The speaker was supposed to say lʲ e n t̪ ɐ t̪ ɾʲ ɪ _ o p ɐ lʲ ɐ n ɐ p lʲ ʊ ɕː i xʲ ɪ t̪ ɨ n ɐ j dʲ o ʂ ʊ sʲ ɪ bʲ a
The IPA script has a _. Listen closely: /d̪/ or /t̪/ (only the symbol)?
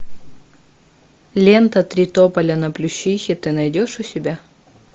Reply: t̪